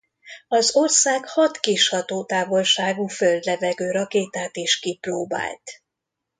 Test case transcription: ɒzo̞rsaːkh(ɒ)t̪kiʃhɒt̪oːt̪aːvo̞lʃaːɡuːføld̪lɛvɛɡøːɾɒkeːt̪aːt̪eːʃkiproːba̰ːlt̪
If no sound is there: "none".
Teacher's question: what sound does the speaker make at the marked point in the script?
ɒ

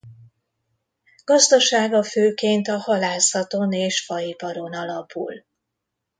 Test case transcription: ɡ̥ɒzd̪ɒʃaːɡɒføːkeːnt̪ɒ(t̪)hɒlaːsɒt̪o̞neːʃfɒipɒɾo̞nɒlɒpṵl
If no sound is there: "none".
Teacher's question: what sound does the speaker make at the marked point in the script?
none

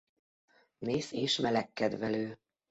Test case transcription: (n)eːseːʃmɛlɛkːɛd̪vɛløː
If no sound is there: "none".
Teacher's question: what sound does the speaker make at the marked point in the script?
n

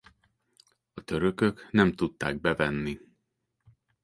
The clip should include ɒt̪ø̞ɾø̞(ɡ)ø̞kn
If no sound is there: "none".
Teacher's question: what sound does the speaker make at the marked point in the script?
k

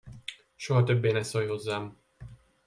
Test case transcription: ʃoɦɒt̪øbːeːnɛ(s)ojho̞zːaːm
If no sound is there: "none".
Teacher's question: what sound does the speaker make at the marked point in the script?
s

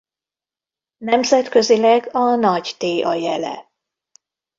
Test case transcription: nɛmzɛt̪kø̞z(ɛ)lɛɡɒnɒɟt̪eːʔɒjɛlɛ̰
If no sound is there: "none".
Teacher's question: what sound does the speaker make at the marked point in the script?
i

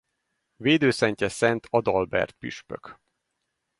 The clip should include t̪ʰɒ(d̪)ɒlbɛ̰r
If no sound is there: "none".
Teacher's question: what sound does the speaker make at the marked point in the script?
d̪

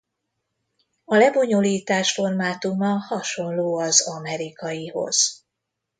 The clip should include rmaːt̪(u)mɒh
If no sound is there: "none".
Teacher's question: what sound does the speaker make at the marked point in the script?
u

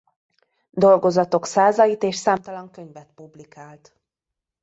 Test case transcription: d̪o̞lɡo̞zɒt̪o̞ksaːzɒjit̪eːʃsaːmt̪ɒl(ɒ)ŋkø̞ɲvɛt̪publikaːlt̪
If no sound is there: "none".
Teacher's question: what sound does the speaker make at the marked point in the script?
ɒ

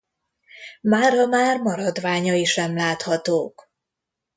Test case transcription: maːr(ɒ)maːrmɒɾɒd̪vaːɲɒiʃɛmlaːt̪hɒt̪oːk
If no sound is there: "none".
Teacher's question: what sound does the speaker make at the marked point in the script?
ɒ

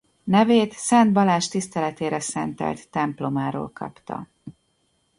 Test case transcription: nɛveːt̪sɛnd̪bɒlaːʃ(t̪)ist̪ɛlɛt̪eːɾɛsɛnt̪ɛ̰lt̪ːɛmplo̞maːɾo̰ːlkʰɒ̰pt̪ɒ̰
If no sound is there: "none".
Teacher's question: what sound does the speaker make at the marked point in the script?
t̪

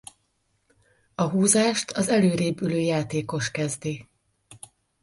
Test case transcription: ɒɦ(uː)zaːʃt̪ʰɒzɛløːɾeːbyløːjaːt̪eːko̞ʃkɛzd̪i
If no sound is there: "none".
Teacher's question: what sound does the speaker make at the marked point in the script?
uː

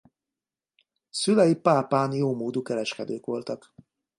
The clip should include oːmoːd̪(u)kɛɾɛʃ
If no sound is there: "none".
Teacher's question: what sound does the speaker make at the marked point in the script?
u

